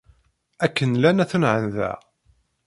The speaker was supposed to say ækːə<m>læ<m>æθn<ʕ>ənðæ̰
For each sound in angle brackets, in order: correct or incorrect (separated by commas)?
incorrect, incorrect, correct